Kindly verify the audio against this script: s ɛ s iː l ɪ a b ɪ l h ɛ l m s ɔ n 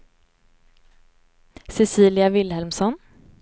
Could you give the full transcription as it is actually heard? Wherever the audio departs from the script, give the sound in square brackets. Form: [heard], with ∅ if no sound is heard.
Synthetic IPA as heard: s ɛ s iː l ɪ a [v] ɪ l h ɛ l m s ɔ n